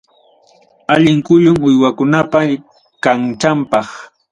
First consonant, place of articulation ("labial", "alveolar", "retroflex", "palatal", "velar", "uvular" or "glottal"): palatal